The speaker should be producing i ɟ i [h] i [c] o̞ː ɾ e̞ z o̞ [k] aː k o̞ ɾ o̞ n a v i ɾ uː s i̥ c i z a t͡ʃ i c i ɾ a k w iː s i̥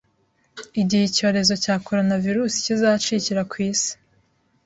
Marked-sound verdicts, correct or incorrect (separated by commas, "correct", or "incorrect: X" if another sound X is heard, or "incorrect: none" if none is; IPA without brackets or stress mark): correct, correct, incorrect: c